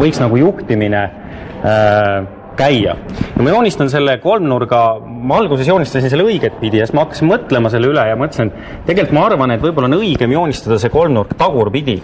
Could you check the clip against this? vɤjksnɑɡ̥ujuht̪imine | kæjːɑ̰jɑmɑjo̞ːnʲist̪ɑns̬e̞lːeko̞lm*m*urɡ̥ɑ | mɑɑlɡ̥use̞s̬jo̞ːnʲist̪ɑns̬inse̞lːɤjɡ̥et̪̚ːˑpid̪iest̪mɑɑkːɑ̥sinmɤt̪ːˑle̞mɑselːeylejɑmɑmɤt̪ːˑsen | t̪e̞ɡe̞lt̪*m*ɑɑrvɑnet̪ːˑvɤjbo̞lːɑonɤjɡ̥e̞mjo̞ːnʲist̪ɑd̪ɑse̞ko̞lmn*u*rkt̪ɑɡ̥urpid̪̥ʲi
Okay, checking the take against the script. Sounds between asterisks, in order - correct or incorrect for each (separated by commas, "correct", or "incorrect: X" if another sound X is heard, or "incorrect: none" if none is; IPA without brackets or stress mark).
incorrect: n, correct, correct